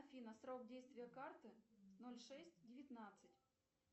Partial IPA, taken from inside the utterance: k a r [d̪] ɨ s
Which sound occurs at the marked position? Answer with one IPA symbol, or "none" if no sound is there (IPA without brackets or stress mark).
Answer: t̪